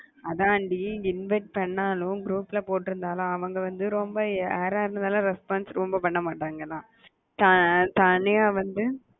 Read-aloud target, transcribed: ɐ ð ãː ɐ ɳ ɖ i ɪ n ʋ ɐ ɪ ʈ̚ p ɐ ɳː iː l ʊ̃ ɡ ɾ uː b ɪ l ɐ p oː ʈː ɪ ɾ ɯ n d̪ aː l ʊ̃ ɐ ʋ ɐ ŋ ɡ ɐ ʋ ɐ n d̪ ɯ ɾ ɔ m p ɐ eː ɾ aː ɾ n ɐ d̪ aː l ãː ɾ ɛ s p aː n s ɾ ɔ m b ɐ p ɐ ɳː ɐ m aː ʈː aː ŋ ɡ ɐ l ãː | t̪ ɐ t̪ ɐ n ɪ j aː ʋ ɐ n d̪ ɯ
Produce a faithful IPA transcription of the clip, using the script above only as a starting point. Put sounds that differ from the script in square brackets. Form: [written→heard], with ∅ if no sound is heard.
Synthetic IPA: ɐ ð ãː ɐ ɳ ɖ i ɪ n ʋ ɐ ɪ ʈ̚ p ɐ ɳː [iː→aː] l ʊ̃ ɡ ɾ uː [b→p] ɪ l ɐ p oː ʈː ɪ ɾ ɯ n d̪ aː l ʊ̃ ɐ ʋ ɐ ŋ ɡ ɐ ʋ ɐ n d̪ ɯ ɾ ɔ m [p→b] ɐ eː ɾ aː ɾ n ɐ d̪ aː l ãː ɾ ɛ s p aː n s ɾ ɔ m b ɐ p ɐ ɳː ɐ m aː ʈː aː ŋ ɡ ɐ l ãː | t̪ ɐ t̪ ɐ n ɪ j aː ʋ ɐ n d̪ ɯ